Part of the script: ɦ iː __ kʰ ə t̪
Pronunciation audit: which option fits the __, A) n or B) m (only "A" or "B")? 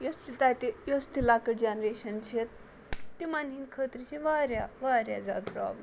A